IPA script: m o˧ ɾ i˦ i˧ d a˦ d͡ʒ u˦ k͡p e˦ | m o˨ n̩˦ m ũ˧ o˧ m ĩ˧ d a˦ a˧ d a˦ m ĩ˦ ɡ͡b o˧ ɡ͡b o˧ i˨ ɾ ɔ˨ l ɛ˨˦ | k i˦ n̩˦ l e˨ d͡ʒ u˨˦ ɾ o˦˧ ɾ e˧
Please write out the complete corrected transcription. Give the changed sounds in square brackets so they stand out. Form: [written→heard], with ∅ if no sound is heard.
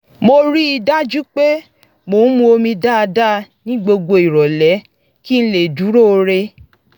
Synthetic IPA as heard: m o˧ ɾ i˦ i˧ d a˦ d͡ʒ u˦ k͡p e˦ | m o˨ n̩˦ m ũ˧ o˧ m ĩ˧ d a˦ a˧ d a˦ [m→n] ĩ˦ ɡ͡b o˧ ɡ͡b o˧ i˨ ɾ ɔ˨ l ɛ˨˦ | k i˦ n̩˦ l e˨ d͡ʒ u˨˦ ɾ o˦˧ ɾ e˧

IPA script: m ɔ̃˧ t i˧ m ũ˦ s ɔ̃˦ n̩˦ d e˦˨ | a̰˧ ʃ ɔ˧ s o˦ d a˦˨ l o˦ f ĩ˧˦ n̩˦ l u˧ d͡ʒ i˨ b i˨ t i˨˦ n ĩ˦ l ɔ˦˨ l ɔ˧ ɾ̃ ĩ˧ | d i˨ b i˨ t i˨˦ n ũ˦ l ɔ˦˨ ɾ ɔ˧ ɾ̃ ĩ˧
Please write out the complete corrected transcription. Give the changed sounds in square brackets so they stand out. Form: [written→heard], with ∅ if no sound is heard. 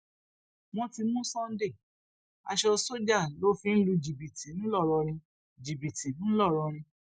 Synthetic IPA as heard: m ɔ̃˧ t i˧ m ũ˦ s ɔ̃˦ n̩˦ d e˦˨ | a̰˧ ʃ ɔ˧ s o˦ [d→d͡ʒ] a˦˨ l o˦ f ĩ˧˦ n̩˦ l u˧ d͡ʒ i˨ b i˨ t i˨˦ n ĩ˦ l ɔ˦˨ [l→ɾ] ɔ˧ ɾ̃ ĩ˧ | [d→d͡ʒ] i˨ b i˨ t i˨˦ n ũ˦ l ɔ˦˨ ɾ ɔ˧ ɾ̃ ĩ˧

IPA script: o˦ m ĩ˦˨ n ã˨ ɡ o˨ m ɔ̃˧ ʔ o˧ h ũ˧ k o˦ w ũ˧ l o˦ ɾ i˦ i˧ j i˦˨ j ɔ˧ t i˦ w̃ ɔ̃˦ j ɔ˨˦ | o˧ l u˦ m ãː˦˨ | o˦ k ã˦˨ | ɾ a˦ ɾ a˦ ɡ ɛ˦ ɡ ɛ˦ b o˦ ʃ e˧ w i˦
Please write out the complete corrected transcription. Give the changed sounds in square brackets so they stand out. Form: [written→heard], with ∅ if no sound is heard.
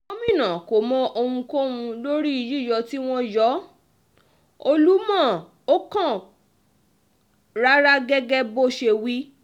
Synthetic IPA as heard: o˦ m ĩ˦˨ n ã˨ [ɡ→k] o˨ m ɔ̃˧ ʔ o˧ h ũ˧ k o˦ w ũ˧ l o˦ ɾ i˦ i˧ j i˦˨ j ɔ˧ t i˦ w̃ ɔ̃˦ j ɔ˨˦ | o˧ l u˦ m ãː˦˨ | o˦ k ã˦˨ | ɾ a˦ ɾ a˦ ɡ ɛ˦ ɡ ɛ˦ b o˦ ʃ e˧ w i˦

